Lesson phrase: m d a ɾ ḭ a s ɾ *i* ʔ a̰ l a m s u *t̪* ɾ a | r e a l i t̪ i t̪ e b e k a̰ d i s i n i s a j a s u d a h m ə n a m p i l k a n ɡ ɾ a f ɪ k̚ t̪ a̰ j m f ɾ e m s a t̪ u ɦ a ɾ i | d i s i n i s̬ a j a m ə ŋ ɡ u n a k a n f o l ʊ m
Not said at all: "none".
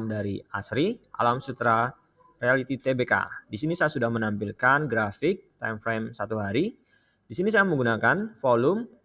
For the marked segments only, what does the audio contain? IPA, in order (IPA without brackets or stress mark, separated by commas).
i, t̪